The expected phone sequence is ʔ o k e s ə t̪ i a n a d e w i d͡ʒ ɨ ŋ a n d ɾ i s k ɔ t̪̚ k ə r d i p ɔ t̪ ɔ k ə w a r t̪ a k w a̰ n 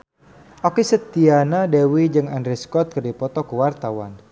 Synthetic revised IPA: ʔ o k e s ə t̪ i a n a d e w i d͡ʒ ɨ ŋ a n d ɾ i s k ɔ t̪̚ k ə r d i p ɔ t̪ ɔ k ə w a r t̪ a w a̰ n

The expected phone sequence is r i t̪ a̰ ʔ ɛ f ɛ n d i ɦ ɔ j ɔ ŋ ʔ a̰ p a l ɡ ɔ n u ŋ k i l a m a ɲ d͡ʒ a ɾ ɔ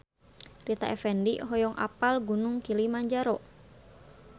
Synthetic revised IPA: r i t̪ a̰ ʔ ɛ f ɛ n d i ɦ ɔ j ɔ ŋ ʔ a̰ p a l ɡ u n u ŋ k i l i m a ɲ d͡ʒ a ɾ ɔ

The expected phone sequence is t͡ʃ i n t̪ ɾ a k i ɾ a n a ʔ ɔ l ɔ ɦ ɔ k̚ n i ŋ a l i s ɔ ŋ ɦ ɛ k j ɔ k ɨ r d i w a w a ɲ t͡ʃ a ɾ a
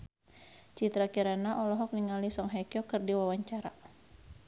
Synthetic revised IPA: t͡ʃ i t̪ ɾ a k i ɾ a n a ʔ ɔ l ɔ ɦ ɔ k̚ n i ŋ a l i s ɔ ŋ ɦ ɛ k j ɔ k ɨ r d i w a w a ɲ t͡ʃ a ɾ a

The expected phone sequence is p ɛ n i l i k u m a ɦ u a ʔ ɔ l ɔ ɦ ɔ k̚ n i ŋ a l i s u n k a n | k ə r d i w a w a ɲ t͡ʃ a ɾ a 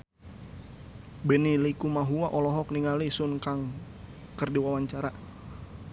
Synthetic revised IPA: b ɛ n i l i k u m a ɦ u a ʔ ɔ l ɔ ɦ ɔ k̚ n i ŋ a l i s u n k a ŋ | k ə r d i w a w a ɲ t͡ʃ a ɾ a

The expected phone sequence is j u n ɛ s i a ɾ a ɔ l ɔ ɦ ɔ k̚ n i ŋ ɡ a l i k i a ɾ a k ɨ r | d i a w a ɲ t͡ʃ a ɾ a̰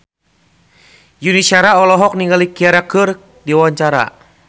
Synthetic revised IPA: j u n i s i a ɾ a ɔ l ɔ ɦ ɔ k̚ n i ŋ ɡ a l i k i a ɾ a k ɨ r | d i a w a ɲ t͡ʃ a ɾ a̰

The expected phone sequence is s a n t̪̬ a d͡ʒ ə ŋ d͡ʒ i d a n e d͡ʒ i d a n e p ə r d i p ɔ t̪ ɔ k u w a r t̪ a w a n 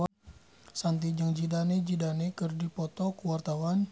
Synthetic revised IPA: s a n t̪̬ i d͡ʒ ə ŋ d͡ʒ i d a n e d͡ʒ i d a n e k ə r d i p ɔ t̪ ɔ k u w a r t̪ a w a n

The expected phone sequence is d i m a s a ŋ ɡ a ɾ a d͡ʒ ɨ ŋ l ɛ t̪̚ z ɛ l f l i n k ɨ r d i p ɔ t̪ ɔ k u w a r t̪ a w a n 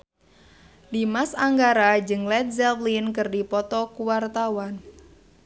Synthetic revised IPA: d i m a s a ŋ ɡ a ɾ a d͡ʒ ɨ ŋ l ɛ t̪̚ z ɛ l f l i n k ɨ r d i p ɔ t̪ ɔ k u w a r t̪ a w a n

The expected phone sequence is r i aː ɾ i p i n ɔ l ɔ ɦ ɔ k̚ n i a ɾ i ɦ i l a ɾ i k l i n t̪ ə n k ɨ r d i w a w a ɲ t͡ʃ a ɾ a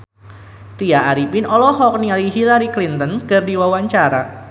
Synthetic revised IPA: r i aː ɾ i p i n ɔ l ɔ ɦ ɔ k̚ n i a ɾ i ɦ i l a ɾ i k l i n t̪ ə n k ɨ r d i w a w a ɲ t͡ʃ a ɾ a

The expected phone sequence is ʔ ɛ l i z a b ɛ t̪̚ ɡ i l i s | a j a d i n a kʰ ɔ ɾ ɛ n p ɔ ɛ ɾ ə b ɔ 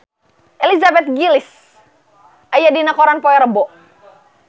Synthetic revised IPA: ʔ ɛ l i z a b ɛ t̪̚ ɡ i l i s | a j a d i n a k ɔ ɾ a n p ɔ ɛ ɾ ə b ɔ

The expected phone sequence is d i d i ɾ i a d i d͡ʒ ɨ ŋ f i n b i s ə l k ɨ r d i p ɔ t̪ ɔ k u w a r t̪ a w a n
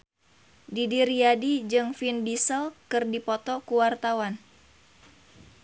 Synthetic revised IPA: d i d i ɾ i a d i d͡ʒ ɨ ŋ f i n b i s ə l k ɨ r d i p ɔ t̪ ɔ k u w a r t̪ a w a n

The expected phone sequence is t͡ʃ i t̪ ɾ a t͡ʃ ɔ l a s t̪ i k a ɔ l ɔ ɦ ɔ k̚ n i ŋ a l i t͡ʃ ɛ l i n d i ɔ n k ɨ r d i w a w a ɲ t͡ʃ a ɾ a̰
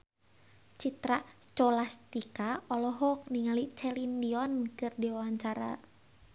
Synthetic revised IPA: t͡ʃ i t̪ ɾ a t͡ʃ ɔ l a s t̪ i k a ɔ l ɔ ɦ ɔ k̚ n i ŋ a l i t͡ʃ ɛ l i n d i ɔ n k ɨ r d i w a w a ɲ t͡ʃ a ɾ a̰

